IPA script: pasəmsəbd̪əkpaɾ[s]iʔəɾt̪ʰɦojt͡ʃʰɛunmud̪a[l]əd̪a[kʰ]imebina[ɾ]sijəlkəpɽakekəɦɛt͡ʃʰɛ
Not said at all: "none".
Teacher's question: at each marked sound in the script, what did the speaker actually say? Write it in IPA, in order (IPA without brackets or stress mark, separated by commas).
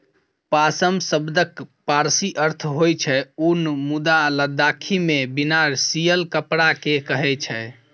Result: s, l, kʰ, ɾ